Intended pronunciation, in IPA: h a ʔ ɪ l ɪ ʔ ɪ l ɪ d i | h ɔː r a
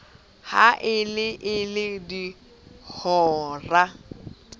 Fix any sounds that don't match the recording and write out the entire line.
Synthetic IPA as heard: h a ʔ ɪ l ɪ ʔ ɪ l ɪ d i | h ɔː r a